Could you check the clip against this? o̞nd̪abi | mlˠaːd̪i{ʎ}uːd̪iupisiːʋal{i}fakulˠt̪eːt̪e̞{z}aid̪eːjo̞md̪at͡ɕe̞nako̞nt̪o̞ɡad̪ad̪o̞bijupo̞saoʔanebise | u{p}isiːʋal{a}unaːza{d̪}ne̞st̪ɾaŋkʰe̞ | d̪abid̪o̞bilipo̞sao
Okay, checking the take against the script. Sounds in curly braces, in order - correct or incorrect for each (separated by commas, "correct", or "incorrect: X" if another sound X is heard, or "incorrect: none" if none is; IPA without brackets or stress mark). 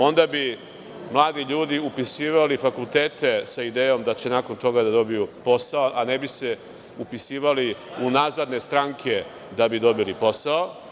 correct, correct, incorrect: s, correct, incorrect: i, correct